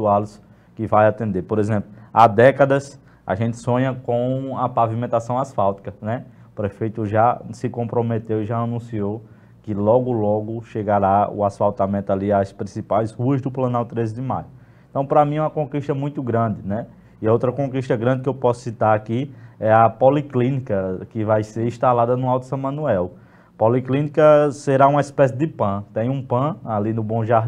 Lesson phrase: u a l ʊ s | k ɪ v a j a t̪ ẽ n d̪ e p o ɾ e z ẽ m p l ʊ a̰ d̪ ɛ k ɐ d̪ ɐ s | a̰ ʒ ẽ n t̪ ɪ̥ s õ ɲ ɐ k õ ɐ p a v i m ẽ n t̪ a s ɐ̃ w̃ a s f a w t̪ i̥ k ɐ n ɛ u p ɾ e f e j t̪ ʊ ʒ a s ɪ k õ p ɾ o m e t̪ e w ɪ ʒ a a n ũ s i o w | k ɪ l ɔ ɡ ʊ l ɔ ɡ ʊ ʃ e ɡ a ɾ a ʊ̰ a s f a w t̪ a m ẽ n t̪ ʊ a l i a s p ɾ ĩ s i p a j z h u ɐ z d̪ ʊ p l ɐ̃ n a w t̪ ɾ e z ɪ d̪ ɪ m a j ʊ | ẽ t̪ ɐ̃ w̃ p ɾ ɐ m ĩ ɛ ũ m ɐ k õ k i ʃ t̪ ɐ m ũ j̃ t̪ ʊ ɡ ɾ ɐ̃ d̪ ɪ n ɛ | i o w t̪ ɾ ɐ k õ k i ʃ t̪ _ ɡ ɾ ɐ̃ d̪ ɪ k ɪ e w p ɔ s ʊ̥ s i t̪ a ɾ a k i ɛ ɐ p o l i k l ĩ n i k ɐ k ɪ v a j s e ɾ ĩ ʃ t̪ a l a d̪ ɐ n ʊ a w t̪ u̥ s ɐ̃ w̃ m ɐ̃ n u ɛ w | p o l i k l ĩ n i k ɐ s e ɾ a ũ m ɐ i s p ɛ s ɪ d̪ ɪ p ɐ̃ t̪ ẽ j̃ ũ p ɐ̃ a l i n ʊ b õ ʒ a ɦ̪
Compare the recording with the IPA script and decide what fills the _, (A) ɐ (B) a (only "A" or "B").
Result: A